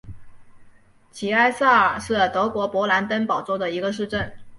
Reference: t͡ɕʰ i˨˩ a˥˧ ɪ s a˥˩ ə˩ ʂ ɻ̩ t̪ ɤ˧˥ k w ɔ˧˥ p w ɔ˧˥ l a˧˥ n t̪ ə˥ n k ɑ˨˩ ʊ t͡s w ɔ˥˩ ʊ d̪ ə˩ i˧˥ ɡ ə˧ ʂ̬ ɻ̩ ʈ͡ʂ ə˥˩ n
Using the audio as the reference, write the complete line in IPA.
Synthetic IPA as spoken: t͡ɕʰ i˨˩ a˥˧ ɪ s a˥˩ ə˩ ʂ ɻ̩ t̪ ɤ˧˥ k w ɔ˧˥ p w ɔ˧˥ l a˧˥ n t̪ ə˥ n p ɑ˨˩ ʊ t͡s w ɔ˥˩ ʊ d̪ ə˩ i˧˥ ɡ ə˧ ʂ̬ ɻ̩ ʈ͡ʂ ə˥˩ n